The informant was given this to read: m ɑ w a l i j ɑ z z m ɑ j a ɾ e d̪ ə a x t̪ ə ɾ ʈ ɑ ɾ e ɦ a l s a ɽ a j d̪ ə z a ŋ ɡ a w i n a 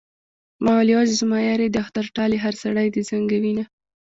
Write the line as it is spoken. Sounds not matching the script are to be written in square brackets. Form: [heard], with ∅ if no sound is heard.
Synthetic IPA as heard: m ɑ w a l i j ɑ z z m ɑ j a ɾ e d̪ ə a x t̪ [a] ɾ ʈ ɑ [l] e ɦ a [ɾ] s a ɽ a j d̪ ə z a ŋ ɡ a w i n a